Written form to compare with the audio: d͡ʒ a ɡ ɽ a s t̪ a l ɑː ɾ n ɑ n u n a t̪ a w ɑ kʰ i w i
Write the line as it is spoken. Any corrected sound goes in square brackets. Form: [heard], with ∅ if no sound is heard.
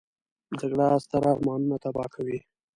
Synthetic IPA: d͡ʒ a ɡ ɽ a s t̪ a [ɾ] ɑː ɾ [m] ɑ n u n a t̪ a [b] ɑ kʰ [a] w i